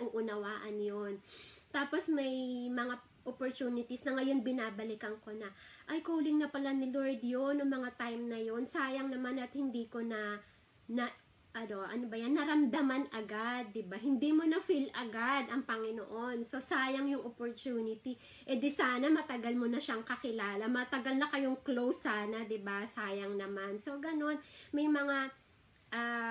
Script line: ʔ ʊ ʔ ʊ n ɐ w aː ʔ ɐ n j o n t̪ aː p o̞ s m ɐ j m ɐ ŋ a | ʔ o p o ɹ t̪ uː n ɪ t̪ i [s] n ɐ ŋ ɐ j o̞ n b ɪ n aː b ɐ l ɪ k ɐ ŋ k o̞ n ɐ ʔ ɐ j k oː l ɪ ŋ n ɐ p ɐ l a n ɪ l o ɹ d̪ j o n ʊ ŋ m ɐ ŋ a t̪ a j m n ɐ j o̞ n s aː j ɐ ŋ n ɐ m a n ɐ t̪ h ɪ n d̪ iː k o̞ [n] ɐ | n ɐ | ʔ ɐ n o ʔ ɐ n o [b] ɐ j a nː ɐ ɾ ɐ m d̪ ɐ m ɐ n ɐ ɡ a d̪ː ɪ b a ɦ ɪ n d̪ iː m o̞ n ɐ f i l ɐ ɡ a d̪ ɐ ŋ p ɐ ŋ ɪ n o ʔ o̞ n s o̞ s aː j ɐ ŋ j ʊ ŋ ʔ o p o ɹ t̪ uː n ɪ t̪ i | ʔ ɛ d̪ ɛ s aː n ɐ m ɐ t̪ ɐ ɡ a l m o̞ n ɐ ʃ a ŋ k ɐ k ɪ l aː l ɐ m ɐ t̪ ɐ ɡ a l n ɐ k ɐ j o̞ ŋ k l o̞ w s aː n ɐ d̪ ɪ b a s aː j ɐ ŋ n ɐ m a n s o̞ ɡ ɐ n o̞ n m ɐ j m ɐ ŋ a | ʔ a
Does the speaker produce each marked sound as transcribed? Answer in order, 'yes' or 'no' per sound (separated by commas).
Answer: yes, yes, yes